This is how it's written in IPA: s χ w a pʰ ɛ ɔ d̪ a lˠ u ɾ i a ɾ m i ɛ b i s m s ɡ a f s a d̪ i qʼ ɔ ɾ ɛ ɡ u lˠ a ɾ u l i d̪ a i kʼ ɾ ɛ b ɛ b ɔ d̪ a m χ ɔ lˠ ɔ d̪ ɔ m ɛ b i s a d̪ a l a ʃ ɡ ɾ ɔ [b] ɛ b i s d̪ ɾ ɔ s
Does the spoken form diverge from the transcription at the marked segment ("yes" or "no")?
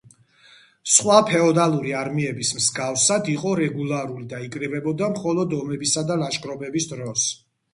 no